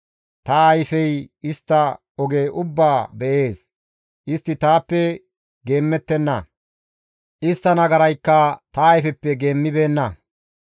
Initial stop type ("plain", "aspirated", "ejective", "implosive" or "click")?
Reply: plain